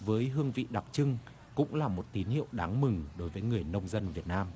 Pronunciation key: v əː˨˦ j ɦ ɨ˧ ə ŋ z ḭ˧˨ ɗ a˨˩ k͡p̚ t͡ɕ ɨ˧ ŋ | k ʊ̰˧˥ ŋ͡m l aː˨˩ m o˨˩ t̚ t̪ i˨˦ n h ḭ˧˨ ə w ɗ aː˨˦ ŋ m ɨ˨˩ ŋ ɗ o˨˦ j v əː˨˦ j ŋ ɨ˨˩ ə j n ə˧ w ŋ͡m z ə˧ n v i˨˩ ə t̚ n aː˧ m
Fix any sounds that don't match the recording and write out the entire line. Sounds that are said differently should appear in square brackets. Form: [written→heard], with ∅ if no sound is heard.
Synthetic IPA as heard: v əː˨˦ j ɦ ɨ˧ ə ŋ [z→v] ḭ˧˨ ɗ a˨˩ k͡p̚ t͡ɕ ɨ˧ ŋ | k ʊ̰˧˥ ŋ͡m l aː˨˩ m o˨˩ t̚ t̪ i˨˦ n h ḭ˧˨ ə w ɗ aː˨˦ ŋ m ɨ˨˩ ŋ ɗ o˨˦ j v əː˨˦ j ŋ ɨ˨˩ ə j n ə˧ w ŋ͡m z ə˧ n v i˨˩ ə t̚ n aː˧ m